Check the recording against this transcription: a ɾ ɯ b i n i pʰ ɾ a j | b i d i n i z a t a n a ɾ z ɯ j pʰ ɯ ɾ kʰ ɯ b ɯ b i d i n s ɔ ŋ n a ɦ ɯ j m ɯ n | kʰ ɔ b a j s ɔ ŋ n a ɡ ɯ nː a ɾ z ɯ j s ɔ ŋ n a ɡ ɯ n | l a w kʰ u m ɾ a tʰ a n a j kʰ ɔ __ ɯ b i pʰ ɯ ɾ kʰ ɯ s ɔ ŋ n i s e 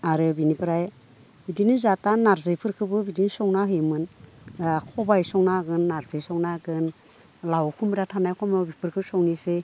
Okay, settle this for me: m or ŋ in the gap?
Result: m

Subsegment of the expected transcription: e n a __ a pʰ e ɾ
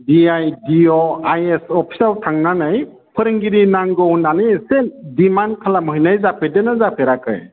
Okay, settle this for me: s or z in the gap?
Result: z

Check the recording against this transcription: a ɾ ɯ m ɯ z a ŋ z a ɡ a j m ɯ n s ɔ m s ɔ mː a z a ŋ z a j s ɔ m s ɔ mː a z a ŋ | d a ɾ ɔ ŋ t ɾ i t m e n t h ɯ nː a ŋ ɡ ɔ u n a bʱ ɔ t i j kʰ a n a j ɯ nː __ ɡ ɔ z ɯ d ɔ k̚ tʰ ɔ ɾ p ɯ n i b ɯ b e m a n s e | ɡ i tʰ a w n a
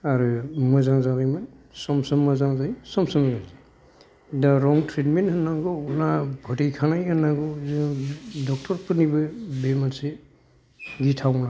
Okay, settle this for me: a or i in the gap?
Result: a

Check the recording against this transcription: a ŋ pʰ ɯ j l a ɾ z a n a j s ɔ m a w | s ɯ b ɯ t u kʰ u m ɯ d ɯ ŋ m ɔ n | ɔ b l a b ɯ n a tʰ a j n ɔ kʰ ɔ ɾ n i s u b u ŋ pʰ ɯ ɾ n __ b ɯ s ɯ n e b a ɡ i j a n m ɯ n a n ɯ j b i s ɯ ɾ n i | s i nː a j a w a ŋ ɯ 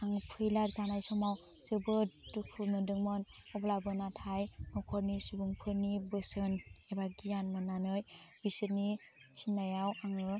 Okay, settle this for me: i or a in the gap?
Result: i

